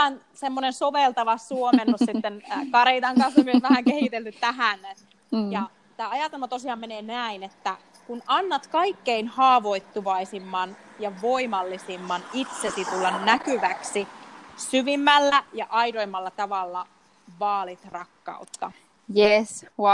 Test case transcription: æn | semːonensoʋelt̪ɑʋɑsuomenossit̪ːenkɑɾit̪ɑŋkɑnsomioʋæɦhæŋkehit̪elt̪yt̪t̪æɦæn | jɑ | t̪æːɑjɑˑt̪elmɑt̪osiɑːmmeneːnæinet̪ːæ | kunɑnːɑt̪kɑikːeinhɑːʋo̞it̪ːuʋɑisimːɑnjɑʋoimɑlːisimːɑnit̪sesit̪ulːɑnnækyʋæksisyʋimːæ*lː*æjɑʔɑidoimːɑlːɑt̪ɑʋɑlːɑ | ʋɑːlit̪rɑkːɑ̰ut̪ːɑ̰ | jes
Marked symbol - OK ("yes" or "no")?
yes